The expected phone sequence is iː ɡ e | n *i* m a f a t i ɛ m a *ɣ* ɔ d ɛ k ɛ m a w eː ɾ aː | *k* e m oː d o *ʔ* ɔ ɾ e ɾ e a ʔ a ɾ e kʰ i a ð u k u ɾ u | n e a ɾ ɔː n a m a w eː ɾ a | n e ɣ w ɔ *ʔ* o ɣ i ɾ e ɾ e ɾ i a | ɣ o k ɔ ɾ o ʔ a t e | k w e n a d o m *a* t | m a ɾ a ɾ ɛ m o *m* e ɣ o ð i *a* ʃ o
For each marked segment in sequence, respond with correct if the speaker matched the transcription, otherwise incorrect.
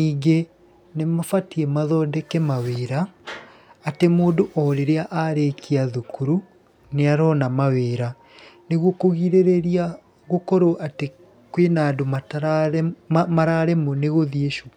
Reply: incorrect: e, incorrect: ð, incorrect: t, correct, incorrect: k, correct, incorrect: n, incorrect: e

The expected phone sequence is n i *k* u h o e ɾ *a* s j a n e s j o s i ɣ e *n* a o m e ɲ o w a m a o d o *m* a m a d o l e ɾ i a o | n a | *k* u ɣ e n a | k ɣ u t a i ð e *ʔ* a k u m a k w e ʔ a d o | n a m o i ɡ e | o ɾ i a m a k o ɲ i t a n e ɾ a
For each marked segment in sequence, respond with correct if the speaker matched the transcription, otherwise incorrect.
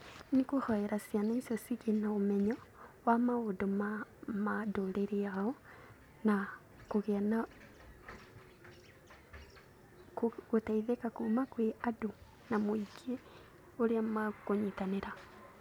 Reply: correct, correct, correct, correct, correct, incorrect: k

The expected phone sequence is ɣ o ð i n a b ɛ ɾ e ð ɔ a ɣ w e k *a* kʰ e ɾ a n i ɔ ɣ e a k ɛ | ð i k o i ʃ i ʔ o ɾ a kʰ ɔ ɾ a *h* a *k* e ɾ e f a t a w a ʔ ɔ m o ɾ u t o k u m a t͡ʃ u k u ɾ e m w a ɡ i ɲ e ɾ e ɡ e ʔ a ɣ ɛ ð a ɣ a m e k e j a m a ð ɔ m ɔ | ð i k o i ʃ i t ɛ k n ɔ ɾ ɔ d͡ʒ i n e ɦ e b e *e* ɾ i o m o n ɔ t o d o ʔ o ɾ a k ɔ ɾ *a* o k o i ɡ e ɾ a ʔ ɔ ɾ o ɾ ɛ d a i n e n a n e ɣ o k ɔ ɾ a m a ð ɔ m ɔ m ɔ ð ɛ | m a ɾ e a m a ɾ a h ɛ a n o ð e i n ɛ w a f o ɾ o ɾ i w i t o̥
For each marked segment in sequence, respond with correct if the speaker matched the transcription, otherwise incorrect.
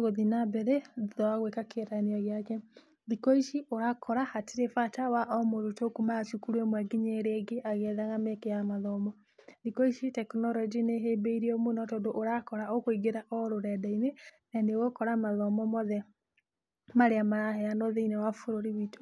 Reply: correct, correct, incorrect: t, incorrect: i, correct

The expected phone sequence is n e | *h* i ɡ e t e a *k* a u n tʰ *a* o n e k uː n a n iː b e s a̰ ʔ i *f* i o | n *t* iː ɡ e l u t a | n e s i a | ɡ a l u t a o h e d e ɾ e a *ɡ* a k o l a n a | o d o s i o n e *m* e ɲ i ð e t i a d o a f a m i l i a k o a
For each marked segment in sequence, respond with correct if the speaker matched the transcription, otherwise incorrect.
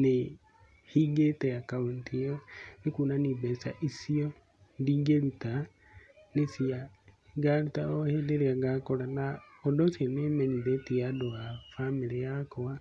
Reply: correct, correct, incorrect: i, incorrect: s, incorrect: d, correct, correct

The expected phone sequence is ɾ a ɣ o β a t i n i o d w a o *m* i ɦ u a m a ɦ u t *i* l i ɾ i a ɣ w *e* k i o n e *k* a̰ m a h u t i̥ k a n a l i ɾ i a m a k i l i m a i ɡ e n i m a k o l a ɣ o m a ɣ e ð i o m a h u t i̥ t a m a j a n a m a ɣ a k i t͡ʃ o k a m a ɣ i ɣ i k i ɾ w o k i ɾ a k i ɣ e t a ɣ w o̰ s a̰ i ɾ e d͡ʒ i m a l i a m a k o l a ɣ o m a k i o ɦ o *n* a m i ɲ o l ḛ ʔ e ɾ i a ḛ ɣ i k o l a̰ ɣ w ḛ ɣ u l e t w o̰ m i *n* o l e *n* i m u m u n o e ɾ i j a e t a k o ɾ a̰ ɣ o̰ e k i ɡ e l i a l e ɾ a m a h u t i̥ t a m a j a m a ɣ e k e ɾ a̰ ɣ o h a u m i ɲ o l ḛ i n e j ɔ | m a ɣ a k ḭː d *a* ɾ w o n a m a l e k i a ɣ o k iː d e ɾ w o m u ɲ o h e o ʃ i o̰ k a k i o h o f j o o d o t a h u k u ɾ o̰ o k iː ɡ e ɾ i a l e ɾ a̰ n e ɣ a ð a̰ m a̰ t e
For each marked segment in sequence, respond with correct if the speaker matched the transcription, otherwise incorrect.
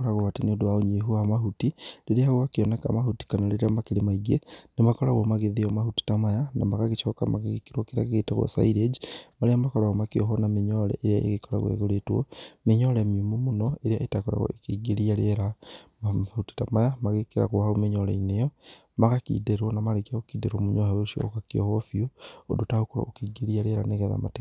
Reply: incorrect: ɲ, correct, incorrect: a, correct, correct, incorrect: ɲ, incorrect: m, incorrect: e

